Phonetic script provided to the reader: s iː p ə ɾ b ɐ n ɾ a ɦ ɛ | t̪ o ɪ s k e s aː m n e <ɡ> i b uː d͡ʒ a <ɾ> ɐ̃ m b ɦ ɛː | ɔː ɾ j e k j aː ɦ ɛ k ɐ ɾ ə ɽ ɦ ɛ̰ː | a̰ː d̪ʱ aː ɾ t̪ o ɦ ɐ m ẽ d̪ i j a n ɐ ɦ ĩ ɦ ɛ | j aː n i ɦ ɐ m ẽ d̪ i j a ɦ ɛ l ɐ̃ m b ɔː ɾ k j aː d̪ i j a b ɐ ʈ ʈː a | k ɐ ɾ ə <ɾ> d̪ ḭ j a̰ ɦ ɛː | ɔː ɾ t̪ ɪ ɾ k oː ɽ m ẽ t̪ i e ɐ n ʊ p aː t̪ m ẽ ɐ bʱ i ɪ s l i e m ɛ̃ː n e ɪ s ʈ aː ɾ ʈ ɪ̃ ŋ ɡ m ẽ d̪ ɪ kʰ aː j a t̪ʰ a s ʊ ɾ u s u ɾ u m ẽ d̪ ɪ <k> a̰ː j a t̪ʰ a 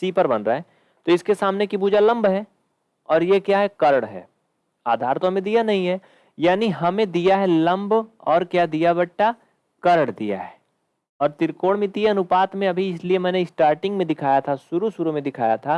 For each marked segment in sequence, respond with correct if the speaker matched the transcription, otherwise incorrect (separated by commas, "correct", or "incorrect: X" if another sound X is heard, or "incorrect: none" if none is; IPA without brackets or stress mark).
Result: incorrect: k, incorrect: l, incorrect: ɽ, incorrect: kʰ